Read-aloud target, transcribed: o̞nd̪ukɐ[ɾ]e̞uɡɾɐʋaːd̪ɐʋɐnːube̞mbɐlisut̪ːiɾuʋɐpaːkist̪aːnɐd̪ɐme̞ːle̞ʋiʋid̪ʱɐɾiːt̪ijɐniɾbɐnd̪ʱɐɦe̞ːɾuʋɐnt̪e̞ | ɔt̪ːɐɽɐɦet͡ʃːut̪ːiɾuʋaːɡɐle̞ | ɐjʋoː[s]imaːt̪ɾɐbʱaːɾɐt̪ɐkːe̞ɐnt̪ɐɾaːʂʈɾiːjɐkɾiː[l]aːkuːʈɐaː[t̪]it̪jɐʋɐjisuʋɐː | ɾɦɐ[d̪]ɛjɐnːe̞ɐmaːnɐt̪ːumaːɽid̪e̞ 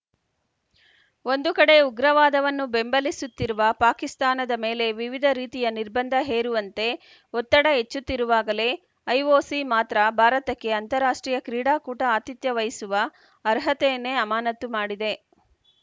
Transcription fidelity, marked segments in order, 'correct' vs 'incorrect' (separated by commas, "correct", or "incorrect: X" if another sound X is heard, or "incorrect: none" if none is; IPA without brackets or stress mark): incorrect: ɽ, correct, incorrect: ɽ, correct, incorrect: t̪